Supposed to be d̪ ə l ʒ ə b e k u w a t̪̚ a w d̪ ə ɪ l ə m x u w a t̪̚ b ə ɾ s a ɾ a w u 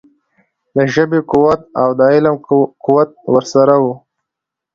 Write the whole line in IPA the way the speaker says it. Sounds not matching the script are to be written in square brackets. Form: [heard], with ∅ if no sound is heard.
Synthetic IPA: d̪ ə [∅] ʒ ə b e k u w a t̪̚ a w d̪ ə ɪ l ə m [k] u w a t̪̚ [w] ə ɾ s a ɾ a w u